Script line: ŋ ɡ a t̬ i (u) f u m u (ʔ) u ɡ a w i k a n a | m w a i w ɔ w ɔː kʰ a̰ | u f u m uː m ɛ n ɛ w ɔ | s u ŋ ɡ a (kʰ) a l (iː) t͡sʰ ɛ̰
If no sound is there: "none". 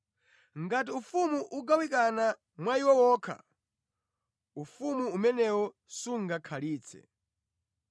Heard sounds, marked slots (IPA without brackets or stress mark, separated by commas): u, ʔ, kʰ, iː